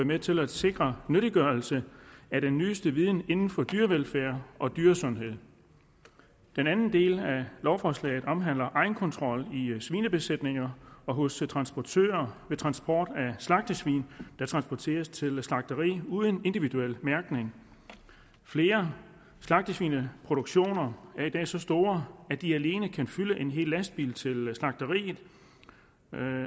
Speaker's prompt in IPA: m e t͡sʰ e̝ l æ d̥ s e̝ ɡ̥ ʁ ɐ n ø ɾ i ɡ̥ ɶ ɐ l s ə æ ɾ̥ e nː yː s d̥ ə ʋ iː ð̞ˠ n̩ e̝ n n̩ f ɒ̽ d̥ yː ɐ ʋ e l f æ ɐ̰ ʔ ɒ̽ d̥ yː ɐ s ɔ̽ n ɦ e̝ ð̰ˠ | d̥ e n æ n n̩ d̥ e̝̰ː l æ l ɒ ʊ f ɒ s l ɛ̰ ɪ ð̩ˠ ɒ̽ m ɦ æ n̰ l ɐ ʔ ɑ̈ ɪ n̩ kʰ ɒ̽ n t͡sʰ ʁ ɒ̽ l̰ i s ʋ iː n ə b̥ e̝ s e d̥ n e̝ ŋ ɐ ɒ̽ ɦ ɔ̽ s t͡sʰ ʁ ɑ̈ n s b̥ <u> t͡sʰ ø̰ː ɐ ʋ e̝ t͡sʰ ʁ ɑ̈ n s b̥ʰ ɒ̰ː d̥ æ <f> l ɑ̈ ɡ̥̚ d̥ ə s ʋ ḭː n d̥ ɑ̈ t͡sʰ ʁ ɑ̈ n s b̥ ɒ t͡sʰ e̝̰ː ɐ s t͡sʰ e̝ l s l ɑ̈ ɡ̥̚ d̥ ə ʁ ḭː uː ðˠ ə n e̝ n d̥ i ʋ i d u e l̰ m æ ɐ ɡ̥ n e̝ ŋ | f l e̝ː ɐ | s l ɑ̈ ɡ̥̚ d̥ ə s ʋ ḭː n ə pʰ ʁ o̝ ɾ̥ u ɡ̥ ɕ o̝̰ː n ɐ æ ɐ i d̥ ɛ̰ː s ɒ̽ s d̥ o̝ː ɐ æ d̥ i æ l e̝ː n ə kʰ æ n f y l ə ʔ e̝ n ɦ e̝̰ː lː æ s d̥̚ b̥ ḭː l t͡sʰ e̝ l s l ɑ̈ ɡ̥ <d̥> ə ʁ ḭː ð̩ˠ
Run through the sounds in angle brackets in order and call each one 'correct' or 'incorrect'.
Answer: incorrect: ɒ, incorrect: s, correct

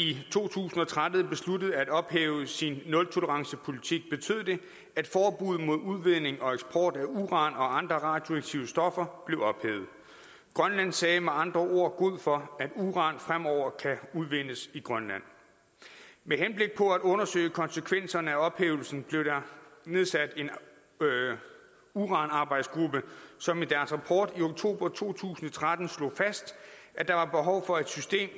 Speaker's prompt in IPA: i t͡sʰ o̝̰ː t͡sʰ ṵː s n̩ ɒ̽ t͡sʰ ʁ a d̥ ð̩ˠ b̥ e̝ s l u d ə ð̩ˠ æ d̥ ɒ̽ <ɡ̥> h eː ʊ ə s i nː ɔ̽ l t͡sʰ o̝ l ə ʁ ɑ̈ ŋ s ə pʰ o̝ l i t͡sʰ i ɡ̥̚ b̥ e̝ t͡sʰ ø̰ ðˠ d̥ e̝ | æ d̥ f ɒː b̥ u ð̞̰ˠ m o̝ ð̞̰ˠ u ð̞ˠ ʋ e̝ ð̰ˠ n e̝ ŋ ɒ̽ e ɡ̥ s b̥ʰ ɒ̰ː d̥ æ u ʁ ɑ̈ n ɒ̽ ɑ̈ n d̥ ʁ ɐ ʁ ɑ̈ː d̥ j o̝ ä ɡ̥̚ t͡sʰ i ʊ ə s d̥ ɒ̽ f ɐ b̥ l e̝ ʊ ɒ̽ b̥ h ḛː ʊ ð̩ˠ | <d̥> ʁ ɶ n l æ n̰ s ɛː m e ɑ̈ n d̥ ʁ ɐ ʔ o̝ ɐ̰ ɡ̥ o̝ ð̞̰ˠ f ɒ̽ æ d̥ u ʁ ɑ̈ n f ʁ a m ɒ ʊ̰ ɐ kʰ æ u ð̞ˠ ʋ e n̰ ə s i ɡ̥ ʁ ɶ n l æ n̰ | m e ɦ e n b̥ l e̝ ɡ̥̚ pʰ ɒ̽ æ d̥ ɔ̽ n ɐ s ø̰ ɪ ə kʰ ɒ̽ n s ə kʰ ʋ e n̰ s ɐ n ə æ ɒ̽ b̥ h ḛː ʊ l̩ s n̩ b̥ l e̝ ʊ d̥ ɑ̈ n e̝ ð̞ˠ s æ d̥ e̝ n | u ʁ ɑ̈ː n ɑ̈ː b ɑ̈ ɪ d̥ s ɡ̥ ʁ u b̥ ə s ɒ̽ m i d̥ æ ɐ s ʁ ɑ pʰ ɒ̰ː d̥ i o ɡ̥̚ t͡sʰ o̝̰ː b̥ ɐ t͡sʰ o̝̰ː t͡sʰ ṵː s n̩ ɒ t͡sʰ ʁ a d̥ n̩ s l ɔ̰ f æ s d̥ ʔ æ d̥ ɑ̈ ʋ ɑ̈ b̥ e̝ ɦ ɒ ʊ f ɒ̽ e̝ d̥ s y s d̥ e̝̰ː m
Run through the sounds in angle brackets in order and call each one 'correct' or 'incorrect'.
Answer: incorrect: b̥, incorrect: ɡ̥

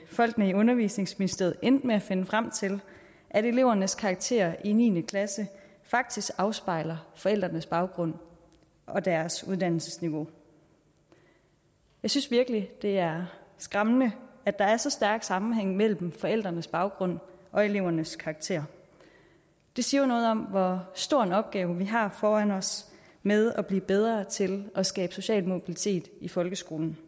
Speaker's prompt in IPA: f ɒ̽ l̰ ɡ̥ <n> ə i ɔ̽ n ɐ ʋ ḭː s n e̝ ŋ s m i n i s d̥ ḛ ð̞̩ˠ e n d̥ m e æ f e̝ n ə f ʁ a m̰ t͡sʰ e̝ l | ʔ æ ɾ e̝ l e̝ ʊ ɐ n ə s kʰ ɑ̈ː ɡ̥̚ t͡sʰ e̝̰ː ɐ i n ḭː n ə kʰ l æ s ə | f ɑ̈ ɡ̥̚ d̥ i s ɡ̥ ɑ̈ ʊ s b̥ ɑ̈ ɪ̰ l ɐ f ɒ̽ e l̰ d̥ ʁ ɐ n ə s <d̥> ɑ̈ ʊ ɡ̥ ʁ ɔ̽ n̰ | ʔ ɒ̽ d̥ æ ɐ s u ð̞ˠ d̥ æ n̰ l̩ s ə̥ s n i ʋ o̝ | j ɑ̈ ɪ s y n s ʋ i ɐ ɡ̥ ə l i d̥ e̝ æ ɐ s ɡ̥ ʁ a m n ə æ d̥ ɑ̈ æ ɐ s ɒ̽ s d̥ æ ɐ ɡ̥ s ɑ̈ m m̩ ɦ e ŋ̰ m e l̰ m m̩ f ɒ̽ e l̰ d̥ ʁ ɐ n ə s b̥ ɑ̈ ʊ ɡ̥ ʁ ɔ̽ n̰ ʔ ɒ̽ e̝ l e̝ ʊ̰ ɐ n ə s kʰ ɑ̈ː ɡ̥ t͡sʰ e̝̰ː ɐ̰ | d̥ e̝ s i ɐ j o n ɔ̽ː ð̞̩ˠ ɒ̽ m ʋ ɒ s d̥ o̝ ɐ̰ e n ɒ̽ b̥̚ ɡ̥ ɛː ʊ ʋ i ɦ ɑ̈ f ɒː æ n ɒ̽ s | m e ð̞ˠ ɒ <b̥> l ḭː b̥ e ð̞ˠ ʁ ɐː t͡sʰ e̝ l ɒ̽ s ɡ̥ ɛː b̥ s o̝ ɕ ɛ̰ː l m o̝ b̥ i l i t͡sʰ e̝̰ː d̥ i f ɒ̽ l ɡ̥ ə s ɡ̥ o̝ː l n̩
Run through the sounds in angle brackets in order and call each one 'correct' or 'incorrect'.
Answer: correct, incorrect: b̥, correct

